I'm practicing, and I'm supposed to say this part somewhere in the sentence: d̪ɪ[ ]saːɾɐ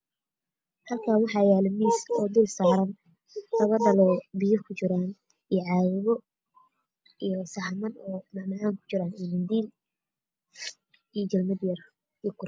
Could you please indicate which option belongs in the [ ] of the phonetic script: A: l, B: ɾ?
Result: A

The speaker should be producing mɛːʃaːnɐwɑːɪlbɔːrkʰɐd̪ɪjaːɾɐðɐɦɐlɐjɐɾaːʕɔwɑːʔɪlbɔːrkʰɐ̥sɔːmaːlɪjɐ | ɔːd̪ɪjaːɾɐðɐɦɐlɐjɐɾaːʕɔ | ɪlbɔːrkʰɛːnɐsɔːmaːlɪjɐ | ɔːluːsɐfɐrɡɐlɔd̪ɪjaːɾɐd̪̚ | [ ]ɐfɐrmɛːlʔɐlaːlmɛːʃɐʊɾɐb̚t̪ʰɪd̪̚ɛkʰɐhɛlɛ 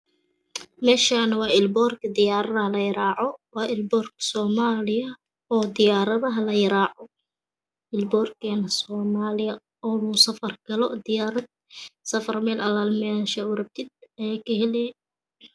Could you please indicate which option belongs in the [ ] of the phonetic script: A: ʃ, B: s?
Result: B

